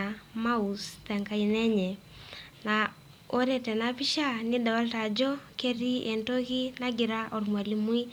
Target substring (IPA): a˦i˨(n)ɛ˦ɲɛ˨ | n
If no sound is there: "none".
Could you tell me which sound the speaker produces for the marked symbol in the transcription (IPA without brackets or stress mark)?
n